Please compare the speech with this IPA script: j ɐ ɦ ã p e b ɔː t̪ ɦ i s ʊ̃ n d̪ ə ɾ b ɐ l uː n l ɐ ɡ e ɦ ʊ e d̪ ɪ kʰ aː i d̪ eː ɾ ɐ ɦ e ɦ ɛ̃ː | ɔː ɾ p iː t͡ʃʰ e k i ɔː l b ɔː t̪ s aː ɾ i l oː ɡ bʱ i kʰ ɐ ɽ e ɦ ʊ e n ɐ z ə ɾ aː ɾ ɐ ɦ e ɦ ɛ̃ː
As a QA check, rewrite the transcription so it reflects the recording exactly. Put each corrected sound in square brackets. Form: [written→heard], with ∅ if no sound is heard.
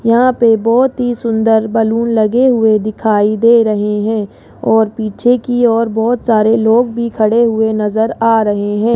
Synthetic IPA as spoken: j ɐ ɦ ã p e b ɔː t̪ ɦ i s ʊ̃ n d̪ ə ɾ b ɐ l uː n l ɐ ɡ e ɦ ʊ e d̪ ɪ kʰ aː i d̪ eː ɾ ɐ ɦ e ɦ ɛ̃ː | ɔː ɾ p iː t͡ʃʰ e k i ɔː [l→ɾ] b ɔː t̪ s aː ɾ [i→e] l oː ɡ bʱ i kʰ ɐ ɽ e ɦ ʊ e n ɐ z ə ɾ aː ɾ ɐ ɦ e ɦ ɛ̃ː

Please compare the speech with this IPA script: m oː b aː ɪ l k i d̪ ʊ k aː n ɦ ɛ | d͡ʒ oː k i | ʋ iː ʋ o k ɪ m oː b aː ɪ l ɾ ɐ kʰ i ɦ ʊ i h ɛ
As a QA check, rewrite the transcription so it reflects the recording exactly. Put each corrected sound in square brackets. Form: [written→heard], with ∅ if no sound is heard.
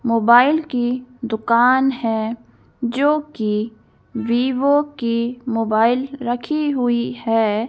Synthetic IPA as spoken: m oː b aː ɪ l k i d̪ ʊ k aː n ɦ ɛ | d͡ʒ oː k i | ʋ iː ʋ o k [ɪ→i] m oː b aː ɪ l ɾ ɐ kʰ i ɦ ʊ i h ɛ

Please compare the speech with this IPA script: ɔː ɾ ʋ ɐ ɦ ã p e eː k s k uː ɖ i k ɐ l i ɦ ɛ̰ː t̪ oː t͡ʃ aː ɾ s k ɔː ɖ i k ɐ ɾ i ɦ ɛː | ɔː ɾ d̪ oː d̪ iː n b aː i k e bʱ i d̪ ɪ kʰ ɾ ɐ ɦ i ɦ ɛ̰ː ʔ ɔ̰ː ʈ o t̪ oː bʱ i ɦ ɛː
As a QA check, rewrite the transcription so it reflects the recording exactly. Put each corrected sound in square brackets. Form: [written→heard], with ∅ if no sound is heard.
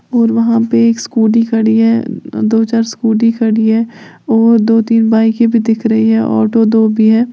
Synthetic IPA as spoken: ɔː ɾ ʋ ɐ ɦ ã p e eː k s k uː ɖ i k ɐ [l→ɽ] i ɦ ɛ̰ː [t̪→d̪] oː t͡ʃ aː ɾ s k [ɔː→uː] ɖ i k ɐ [ɾ→ɽ] i ɦ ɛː | ɔː ɾ d̪ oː [d̪→t̪] iː n b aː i k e bʱ i d̪ ɪ kʰ ɾ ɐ ɦ i ɦ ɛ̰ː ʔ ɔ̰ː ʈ o [t̪→d̪] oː bʱ i ɦ ɛː

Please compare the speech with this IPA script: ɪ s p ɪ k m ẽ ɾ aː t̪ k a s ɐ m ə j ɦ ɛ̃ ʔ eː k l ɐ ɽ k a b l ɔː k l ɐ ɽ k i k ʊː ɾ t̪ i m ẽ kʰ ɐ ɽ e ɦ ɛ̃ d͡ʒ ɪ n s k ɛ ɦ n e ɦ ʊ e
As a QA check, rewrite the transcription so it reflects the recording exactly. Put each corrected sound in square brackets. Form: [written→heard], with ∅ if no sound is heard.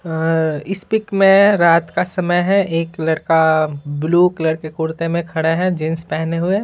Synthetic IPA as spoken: ɪ s p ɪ k m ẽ ɾ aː t̪ k a s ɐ m ə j ɦ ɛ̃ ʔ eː k l ɐ ɽ k a b l [ɔː→uː] k l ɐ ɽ k [i→e] k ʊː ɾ t̪ [i→e] m ẽ kʰ ɐ ɽ e ɦ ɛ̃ d͡ʒ ɪ n s [k→p] ɛ ɦ n e ɦ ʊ e

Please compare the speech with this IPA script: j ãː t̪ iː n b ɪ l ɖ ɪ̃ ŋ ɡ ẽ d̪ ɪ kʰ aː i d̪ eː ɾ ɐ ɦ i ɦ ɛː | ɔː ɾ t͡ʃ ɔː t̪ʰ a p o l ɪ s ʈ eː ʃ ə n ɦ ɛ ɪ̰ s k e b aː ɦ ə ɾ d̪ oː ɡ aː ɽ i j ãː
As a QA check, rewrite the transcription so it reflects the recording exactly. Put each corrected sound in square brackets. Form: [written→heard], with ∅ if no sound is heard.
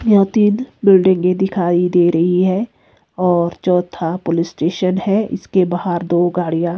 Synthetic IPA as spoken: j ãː t̪ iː n b ɪ l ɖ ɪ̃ ŋ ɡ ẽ d̪ ɪ kʰ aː i d̪ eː ɾ ɐ ɦ i ɦ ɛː | ɔː ɾ t͡ʃ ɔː t̪ʰ a p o l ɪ s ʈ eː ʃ ə n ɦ ɛ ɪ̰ s k e b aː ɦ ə ɾ d̪ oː ɡ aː ɽ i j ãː

